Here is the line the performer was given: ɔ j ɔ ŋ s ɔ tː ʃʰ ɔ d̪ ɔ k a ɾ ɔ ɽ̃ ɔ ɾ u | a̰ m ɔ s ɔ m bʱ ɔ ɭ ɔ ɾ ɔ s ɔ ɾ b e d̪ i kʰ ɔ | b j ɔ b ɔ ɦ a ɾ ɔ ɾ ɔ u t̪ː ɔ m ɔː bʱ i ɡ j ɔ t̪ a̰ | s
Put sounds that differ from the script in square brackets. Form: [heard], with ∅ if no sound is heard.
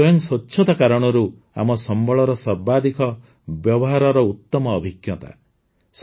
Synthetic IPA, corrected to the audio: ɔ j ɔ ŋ s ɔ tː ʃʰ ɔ [t̪] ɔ k a ɾ ɔ ɽ̃ ɔ ɾ u | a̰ m ɔ s ɔ m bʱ ɔ ɭ ɔ ɾ ɔ s ɔ ɾ b [a] d̪ i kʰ ɔ | b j ɔ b ɔ ɦ a ɾ ɔ ɾ ɔ u t̪ː ɔ m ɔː bʱ i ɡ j ɔ t̪ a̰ | s